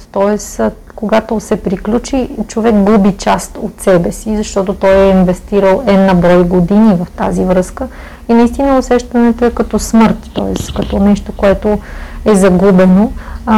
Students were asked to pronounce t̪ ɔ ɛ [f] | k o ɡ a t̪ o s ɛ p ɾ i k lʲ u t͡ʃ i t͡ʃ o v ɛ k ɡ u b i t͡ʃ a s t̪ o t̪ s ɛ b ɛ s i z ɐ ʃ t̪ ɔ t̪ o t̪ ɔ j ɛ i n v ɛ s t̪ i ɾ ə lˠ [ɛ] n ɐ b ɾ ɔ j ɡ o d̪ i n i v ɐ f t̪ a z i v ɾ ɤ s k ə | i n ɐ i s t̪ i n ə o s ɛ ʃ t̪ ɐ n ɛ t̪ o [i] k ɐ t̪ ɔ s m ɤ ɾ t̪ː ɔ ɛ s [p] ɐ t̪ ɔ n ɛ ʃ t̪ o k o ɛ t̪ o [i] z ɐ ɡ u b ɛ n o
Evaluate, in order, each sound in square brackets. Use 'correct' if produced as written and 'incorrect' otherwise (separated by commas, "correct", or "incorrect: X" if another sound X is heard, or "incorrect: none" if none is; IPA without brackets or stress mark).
incorrect: s, correct, incorrect: ɛ, incorrect: k, incorrect: ɛ